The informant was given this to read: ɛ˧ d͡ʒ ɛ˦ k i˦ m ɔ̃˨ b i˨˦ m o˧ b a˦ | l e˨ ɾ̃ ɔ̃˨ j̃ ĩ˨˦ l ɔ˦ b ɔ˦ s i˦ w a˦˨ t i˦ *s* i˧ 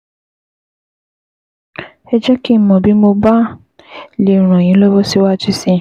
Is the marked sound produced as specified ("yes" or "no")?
yes